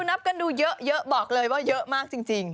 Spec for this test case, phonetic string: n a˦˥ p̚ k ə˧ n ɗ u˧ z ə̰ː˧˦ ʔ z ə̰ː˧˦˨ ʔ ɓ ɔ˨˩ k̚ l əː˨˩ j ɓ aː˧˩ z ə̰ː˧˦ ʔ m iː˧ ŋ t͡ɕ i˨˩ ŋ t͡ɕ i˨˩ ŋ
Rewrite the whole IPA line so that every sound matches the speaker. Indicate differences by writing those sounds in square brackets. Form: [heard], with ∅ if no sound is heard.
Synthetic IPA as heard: n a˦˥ p̚ k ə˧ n ɗ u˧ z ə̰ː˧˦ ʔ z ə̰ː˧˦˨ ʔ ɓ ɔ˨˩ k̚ l əː˨˩ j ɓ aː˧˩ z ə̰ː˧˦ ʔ m [aː˧] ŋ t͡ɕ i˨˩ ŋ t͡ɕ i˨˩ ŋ